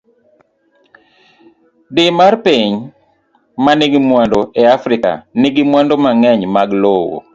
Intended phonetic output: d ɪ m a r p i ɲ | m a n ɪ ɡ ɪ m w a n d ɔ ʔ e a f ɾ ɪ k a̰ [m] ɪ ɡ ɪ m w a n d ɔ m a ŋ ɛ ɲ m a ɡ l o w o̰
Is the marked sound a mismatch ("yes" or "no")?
yes